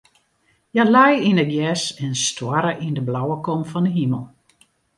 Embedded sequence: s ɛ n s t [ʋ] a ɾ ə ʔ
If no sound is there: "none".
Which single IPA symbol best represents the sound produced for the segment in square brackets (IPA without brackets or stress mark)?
w